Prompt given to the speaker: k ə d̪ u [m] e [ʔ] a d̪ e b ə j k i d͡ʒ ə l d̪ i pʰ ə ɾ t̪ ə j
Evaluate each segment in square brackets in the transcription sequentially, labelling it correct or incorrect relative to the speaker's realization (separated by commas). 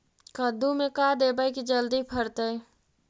correct, incorrect